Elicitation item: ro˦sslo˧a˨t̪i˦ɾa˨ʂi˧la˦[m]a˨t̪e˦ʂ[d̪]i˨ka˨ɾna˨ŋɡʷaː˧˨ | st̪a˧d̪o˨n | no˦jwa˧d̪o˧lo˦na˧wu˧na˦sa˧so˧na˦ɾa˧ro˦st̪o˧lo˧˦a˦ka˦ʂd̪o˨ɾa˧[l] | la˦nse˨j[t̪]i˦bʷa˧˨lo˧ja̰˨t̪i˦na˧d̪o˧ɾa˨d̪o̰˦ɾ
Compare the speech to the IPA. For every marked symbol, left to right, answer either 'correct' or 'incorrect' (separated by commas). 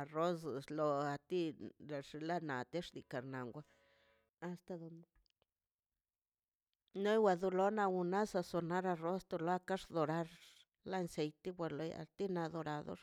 incorrect, correct, incorrect, correct